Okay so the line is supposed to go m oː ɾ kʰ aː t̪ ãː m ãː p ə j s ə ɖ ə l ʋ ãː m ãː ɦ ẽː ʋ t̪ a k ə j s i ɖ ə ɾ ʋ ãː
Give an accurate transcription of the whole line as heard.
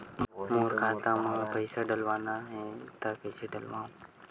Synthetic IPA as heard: m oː ɾ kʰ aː t̪ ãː m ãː p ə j s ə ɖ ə l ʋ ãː n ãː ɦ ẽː t̪ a k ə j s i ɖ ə l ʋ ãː